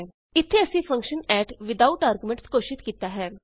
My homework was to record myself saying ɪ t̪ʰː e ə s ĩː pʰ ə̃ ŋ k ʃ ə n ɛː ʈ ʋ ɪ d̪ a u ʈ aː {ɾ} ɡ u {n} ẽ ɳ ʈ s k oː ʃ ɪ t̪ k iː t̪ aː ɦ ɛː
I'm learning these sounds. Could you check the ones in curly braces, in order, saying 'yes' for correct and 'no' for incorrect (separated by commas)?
yes, no